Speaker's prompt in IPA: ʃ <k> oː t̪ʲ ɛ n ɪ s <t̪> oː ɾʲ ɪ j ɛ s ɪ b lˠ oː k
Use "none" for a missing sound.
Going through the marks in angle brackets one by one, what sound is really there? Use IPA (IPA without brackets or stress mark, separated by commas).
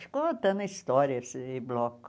k, t̪